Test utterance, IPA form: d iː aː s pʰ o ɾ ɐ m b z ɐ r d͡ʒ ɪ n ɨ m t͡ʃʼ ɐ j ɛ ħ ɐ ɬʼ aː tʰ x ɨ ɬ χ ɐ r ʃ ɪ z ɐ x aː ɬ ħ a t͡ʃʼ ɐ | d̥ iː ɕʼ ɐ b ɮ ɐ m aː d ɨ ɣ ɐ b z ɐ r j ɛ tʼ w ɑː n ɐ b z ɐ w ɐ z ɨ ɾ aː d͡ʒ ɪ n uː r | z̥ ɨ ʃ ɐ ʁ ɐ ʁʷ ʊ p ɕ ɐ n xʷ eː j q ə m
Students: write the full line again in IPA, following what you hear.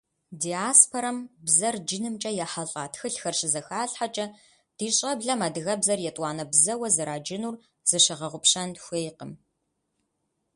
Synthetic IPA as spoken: d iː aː s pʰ o ɾ ɐ m b z ɐ r d͡ʒ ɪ n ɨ m t͡ʃʼ ɐ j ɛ ħ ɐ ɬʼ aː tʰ x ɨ ɬ x ɐ r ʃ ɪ z ɐ x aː ɬ ħ a t͡ʃʼ ɐ | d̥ iː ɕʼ ɐ b ɮ ɐ m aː d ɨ ɣ ɐ b z ɐ r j ɛ tʼ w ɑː n ɐ b z ɐ w ɐ z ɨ ɾ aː d͡ʒ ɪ n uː r | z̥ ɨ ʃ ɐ ʁ ɐ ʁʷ ʊ p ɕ ɐ n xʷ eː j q ə m